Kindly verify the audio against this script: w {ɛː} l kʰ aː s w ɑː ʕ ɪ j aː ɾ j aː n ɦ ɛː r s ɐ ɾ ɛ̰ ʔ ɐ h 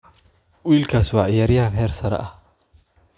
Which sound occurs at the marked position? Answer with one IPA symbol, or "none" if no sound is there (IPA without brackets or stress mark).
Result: iː